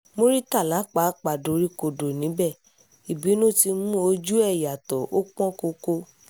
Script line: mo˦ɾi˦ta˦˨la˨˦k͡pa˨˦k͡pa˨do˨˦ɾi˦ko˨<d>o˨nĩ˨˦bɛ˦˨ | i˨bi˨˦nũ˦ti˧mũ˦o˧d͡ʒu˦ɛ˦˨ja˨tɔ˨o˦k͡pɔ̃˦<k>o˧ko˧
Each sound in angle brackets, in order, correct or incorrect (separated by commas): correct, correct